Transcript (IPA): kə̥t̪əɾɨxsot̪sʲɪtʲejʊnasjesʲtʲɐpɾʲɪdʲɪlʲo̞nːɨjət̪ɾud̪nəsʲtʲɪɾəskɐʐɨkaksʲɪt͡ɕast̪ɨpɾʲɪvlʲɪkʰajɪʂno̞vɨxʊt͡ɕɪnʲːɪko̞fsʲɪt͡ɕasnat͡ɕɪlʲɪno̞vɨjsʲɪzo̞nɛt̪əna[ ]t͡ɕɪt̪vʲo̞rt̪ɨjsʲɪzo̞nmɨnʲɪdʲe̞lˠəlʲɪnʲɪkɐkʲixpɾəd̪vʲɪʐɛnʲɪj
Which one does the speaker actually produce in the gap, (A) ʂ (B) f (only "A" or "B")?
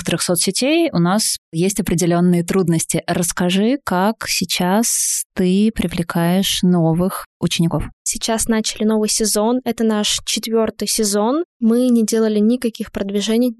A